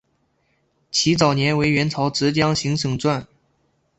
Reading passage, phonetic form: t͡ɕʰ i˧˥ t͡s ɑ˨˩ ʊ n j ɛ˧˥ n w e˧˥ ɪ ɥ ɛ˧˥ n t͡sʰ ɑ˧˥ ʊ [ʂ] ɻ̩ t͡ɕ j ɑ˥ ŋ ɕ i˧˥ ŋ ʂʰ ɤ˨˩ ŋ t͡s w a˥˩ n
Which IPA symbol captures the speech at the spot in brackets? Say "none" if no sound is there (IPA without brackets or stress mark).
ʈ͡ʂ